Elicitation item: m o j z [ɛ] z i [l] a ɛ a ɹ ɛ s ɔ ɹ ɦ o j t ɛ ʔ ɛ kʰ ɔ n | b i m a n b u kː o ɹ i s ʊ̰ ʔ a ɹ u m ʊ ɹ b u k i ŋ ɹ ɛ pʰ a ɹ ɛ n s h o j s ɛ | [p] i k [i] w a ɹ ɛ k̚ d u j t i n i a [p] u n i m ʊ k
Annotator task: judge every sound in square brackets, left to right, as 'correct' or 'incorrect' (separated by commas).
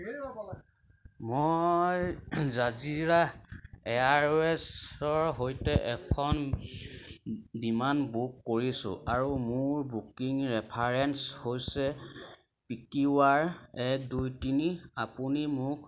incorrect, incorrect, correct, correct, correct